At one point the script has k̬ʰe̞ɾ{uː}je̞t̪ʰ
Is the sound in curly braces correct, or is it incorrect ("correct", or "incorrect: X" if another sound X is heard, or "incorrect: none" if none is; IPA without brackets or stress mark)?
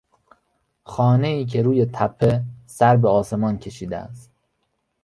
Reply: correct